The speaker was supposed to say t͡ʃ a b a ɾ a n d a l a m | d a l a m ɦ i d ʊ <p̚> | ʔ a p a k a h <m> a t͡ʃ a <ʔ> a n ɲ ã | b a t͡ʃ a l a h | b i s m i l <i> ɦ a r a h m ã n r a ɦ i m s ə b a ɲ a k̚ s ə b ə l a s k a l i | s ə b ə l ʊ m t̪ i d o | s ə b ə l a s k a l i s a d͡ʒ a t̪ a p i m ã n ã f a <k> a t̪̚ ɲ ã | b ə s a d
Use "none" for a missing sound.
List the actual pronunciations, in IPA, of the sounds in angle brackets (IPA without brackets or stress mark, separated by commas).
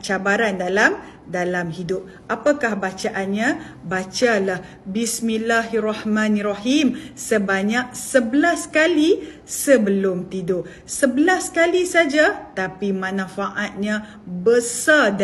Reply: p̚, b, ʔ, a, ʔ